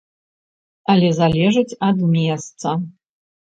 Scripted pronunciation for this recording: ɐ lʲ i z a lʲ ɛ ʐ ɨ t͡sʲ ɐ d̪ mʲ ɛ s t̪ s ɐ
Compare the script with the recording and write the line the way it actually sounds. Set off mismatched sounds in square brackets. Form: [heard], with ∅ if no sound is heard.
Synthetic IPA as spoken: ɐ lʲ [ɛ] z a lʲ ɛ ʐ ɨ t͡sʲ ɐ d̪ mʲ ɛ s t̪ s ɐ